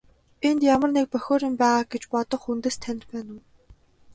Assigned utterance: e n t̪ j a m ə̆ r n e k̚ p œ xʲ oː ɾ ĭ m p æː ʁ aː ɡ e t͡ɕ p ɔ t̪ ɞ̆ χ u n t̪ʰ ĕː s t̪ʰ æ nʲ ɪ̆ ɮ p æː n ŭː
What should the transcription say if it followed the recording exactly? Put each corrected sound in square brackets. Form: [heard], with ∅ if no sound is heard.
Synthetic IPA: e n t̪ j a m ə̆ r n e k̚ p œ xʲ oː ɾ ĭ m p æː ʁ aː ɡ e t͡ɕ p ɔ t̪ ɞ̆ χ u n [t̪] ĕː s t̪ʰ æ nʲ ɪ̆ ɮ p æː n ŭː